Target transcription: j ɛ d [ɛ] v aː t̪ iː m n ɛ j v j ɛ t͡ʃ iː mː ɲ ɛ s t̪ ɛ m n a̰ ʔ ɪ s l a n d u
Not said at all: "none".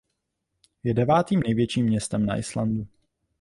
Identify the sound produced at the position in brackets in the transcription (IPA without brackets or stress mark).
ɛ